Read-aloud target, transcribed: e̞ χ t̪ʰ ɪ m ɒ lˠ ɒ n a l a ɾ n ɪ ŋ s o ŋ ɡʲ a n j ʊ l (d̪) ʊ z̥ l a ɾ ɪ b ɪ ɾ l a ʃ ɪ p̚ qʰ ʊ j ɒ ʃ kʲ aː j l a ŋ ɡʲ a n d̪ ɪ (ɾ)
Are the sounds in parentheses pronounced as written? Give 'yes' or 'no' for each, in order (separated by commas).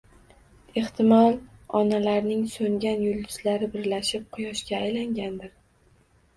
yes, yes